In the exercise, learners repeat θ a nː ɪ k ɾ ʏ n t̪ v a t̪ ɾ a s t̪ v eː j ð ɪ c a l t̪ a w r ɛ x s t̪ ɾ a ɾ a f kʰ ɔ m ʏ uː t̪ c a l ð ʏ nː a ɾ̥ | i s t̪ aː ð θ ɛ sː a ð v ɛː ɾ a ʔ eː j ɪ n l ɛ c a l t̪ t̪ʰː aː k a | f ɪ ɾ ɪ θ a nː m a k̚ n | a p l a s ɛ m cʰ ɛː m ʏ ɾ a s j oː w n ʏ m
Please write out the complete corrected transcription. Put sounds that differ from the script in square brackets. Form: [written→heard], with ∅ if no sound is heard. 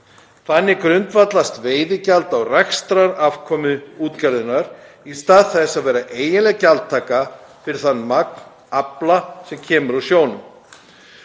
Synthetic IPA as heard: θ a nː ɪ k ɾ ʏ n t̪ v a t̪ [ɾ→l] a s t̪ v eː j ð ɪ c a l t̪ a w r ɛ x s t̪ ɾ a ɾ a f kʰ ɔ m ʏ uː t̪ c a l ð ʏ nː a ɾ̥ | i s t̪ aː ð θ ɛ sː a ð v ɛː ɾ a ʔ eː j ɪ n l ɛ c a l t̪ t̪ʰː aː k a | f ɪ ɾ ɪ θ a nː m a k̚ n | a p l a s ɛ m cʰ ɛː m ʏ ɾ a s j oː w n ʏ m